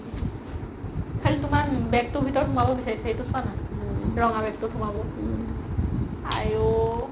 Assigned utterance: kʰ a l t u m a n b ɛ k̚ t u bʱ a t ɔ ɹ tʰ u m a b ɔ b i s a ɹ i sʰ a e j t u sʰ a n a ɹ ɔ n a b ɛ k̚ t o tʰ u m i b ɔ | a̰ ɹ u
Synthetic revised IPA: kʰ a l t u m a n b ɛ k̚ t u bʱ i t ɔ ɹ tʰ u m a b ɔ b i s a ɹ i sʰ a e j t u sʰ a n a ɹ ɔ ŋ a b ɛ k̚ t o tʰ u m a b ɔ | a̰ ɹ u